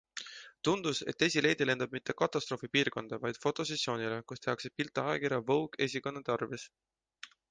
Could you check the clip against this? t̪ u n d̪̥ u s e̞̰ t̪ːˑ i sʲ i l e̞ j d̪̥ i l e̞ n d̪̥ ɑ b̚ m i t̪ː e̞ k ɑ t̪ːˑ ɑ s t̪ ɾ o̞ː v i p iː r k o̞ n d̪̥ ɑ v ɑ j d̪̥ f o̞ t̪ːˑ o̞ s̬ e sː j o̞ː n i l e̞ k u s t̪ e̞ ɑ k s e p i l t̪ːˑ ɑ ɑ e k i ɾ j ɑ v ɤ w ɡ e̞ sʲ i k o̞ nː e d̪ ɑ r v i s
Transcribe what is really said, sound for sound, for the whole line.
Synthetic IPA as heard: t̪ u n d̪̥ u s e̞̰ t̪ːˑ e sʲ i l e̞ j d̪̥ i l e̞ n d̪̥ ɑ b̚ m i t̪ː e̞ k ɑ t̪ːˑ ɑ s t̪ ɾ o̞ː f i p iː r k o̞ n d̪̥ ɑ v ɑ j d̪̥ f o̞ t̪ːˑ o̞ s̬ e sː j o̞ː n i l e̞ k u s t̪ e̞ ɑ k s e p i l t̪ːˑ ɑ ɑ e k i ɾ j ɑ v ɤ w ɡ e̞ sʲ i k o̞ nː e t̪ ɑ r v i s